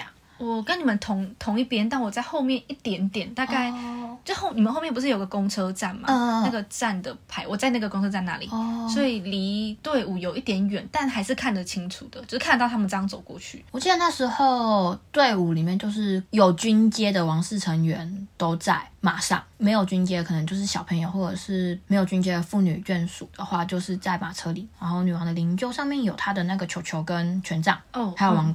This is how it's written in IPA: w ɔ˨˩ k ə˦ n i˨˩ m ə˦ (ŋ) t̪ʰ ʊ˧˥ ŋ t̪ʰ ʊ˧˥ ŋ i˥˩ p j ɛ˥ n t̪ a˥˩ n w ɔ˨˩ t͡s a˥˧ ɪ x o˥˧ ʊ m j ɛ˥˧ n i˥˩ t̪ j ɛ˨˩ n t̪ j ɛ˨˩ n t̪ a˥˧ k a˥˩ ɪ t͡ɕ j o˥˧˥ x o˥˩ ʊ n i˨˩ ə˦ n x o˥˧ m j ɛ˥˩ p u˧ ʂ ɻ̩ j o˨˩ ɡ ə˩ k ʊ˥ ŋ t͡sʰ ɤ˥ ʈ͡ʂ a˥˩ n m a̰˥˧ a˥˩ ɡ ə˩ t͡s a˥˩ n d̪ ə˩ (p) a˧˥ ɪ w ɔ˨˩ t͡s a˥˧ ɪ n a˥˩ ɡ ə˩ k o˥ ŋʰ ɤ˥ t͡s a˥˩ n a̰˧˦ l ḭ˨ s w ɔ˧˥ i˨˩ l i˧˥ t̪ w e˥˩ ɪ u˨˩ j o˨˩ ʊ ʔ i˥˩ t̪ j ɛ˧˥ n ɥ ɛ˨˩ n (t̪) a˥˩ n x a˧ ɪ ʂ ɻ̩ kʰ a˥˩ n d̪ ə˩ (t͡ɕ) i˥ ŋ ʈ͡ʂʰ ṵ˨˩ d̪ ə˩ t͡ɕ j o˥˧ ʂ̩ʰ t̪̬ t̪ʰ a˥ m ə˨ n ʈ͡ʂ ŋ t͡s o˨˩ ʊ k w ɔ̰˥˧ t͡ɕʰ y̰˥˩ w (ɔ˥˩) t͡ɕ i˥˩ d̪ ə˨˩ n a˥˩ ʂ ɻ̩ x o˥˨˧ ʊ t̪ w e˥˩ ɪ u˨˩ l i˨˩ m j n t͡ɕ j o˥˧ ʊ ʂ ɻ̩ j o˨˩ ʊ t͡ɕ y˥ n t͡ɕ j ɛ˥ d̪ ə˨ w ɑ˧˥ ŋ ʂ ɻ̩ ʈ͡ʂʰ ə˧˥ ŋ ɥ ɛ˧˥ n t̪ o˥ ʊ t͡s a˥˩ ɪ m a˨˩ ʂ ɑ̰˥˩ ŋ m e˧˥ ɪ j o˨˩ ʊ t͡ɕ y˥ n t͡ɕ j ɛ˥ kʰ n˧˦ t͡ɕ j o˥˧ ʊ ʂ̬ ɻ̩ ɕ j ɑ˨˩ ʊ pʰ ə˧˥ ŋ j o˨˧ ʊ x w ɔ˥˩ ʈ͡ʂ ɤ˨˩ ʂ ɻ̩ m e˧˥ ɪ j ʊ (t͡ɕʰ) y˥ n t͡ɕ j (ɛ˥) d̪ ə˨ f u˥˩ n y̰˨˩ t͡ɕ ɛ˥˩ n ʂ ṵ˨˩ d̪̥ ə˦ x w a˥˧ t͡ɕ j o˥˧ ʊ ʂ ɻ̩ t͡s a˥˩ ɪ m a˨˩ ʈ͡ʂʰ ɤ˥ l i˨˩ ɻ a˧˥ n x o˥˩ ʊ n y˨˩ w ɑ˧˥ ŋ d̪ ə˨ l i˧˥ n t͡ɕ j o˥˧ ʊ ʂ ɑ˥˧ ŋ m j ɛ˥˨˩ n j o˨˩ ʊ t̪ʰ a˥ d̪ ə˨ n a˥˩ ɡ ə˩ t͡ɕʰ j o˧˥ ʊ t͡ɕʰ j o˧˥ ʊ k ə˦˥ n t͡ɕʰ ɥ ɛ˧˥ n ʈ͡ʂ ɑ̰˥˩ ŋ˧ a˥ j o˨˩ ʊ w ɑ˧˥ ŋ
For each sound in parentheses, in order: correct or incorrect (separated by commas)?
incorrect, incorrect, correct, incorrect, incorrect, incorrect, correct